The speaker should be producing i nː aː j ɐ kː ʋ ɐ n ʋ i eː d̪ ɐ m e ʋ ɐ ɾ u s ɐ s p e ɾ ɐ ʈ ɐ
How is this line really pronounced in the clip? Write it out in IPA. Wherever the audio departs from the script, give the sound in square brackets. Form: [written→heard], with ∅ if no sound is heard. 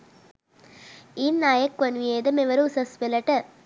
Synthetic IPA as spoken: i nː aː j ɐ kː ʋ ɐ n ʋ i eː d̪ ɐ m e ʋ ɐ ɾ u s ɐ s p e [ɾ→l] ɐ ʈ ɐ